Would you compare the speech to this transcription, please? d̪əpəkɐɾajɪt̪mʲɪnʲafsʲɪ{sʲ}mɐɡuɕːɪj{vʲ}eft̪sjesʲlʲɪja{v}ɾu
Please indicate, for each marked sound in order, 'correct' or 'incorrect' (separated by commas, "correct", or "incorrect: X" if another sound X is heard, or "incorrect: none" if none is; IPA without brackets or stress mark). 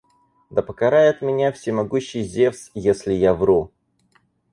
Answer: incorrect: none, incorrect: zʲ, correct